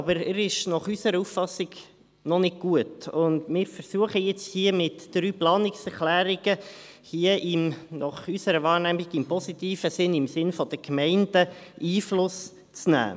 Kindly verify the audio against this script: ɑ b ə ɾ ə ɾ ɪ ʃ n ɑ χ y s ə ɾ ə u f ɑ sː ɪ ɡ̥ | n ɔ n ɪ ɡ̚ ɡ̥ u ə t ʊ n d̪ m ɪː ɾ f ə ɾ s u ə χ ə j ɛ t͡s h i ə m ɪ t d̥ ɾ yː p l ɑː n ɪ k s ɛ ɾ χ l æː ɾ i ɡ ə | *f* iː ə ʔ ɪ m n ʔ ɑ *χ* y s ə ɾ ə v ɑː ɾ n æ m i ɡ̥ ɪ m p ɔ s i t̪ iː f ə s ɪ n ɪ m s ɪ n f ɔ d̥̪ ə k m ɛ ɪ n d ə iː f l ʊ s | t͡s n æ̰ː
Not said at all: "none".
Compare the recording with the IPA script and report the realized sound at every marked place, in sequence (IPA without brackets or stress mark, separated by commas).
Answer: h, χ